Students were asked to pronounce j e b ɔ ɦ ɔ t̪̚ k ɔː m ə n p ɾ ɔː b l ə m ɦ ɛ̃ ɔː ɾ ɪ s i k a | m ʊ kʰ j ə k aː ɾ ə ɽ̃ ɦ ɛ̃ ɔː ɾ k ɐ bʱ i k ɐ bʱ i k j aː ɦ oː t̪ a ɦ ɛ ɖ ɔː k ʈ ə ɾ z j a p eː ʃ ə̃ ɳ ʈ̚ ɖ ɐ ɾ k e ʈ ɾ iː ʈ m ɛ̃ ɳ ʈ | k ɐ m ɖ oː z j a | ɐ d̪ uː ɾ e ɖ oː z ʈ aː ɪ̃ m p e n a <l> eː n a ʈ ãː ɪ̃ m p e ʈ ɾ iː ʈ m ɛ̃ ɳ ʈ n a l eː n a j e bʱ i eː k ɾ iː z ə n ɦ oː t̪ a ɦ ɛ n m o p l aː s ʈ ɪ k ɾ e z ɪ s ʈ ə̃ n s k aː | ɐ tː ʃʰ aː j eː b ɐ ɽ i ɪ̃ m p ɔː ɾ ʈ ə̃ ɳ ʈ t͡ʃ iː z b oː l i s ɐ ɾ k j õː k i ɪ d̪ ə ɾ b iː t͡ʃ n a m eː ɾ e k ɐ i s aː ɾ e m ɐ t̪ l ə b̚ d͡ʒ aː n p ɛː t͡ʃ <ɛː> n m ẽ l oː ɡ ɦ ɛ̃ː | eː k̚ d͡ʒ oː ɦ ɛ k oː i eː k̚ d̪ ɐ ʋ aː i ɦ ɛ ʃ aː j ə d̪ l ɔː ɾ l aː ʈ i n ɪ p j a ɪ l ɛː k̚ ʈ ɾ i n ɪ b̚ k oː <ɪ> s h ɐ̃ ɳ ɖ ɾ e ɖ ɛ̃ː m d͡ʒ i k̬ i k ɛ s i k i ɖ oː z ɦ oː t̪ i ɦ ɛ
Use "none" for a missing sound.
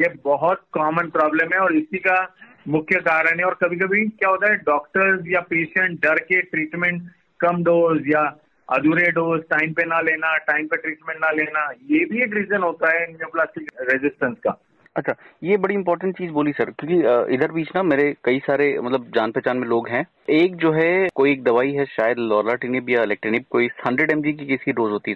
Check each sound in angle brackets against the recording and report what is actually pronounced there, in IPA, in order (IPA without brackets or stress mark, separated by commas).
l, aː, i